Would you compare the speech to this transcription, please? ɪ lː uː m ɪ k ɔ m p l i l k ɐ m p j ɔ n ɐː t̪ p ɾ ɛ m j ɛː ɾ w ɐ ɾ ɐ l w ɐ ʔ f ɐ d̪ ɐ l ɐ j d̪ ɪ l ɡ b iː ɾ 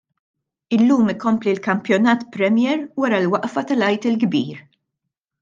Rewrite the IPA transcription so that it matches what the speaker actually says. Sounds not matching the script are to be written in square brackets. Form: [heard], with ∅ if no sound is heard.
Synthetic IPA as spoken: ɪ lː uː m ɪ k ɔ m p l i l k ɐ m p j ɔ n ɐː t̪ p ɾ ɛ m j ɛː ɾ w ɐ ɾ ɐ l w ɐ ʔ f ɐ [t̪] ɐ l ɐ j [t̪] ɪ l ɡ b iː ɾ